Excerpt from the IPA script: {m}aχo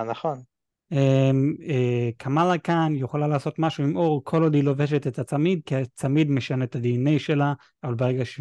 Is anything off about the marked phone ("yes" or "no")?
yes